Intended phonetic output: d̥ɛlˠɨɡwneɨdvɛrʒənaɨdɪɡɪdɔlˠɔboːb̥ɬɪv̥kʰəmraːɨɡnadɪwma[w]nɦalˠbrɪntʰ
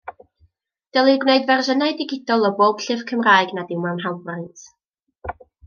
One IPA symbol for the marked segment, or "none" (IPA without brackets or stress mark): w